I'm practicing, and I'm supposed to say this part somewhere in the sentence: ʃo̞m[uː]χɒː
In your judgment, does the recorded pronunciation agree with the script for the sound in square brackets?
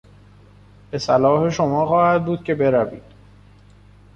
no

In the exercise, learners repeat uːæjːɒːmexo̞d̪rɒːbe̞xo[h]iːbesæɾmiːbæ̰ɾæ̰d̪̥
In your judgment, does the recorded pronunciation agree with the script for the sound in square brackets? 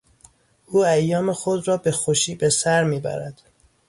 no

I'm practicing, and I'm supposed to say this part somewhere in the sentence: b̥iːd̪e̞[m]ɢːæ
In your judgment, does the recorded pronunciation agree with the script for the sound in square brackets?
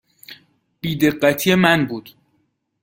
no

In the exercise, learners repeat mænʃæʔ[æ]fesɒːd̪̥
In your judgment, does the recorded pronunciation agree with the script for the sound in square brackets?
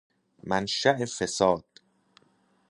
no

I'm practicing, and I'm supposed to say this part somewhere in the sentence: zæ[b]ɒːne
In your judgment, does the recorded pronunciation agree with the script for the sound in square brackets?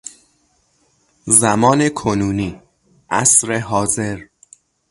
no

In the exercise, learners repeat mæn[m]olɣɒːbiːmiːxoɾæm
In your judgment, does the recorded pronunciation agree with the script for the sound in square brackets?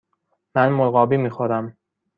yes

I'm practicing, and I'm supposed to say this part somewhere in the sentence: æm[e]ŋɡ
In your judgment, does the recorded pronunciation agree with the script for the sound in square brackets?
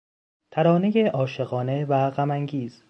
no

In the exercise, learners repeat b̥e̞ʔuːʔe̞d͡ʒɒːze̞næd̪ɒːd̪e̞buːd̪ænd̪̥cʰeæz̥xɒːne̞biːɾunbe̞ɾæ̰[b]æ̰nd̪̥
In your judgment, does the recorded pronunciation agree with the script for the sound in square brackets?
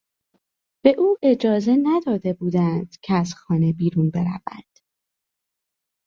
no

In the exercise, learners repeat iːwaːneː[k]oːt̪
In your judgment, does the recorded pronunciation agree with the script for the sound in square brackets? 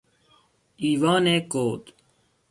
yes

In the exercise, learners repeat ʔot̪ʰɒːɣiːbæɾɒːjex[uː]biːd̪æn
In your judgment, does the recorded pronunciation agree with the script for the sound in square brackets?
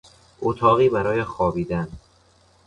no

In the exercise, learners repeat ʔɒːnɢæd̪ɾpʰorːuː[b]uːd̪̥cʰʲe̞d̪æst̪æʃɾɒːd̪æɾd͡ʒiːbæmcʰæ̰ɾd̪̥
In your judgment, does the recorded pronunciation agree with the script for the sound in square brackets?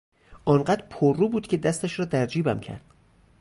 yes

